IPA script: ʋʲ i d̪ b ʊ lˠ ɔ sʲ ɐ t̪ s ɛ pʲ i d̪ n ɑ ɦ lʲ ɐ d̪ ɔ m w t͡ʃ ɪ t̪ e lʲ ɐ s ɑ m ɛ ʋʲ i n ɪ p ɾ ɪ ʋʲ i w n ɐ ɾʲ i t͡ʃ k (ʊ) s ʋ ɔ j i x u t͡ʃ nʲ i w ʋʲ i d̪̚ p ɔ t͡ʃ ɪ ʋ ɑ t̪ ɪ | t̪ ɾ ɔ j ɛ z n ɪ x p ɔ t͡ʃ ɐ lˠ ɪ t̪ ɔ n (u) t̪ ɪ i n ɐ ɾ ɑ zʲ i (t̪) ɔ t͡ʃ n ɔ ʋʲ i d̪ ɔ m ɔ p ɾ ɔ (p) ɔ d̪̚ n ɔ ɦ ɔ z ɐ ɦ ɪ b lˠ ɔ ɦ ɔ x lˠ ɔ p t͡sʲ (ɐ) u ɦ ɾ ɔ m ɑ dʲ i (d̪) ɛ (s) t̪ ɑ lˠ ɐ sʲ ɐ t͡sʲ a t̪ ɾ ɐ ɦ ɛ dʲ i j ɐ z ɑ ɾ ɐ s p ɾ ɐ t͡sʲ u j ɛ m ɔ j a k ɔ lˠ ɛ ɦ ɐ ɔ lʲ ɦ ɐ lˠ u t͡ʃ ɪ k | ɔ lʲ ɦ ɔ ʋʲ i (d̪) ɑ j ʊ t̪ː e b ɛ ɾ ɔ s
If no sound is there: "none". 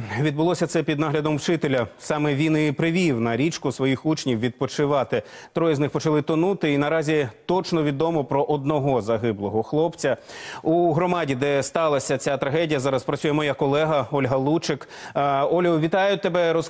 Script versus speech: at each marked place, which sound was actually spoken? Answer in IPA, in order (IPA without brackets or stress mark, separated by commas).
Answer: ʊ, u, t̪, ʔ, ɐ, d̪, s, t̪